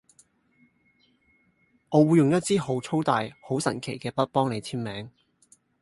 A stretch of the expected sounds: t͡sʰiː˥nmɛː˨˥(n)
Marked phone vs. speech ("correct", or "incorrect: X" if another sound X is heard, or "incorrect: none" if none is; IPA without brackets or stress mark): incorrect: ŋ